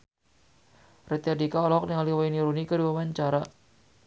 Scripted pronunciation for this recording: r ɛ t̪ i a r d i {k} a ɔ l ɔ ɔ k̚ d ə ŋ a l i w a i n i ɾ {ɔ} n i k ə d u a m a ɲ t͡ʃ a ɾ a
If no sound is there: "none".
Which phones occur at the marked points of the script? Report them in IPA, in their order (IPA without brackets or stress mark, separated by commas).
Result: k, u